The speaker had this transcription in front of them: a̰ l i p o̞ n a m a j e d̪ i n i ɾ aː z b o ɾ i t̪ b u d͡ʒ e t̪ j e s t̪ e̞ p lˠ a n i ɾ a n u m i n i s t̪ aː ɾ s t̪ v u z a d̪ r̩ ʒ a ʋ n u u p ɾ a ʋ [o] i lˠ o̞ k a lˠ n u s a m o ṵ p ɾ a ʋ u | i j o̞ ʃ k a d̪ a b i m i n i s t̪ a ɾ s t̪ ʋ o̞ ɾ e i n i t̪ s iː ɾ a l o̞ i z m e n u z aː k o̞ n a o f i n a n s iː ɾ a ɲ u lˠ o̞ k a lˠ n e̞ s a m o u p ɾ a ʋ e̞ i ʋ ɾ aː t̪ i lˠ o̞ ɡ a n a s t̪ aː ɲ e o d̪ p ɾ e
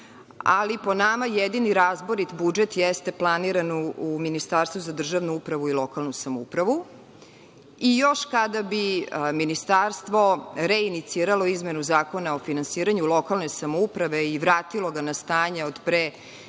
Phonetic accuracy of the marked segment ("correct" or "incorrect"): incorrect